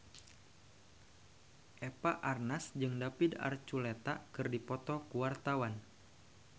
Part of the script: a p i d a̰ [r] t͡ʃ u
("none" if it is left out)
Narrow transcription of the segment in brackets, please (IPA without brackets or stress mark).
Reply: r